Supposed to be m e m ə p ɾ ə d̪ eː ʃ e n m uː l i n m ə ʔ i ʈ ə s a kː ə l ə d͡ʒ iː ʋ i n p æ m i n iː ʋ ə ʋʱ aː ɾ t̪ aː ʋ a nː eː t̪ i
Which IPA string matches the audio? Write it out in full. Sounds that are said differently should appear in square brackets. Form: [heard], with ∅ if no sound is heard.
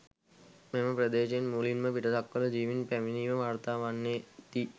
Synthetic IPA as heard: m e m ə p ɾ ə d̪ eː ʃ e n m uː l i n m ə [p] i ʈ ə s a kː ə l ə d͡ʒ iː ʋ i n p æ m i n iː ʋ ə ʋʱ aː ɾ t̪ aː ʋ a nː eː t̪ i